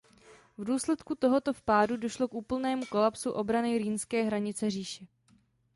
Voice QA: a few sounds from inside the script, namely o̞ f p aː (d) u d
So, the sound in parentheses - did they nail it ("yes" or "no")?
yes